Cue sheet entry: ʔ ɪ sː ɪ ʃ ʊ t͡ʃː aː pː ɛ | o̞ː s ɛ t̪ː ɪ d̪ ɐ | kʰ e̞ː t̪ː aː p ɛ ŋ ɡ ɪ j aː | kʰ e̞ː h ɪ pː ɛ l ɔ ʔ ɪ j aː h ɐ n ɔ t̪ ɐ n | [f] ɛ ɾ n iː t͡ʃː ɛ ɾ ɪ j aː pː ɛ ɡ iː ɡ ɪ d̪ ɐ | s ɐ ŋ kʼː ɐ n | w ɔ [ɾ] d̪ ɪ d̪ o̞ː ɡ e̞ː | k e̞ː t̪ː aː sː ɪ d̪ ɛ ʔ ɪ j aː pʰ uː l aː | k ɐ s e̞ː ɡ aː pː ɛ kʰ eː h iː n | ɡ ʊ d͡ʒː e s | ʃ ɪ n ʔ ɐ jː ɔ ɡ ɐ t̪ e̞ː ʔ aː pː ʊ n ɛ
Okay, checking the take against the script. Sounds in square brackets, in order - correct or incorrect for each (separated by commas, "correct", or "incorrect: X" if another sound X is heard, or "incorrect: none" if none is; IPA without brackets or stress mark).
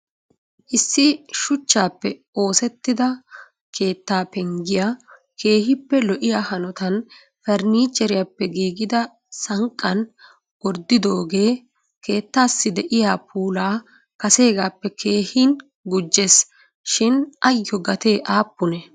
correct, correct